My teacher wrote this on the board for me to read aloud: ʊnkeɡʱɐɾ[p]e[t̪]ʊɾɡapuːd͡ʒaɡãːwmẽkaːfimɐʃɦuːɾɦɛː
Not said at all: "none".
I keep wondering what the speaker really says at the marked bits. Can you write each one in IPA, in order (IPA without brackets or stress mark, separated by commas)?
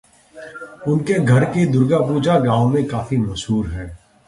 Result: k, d̪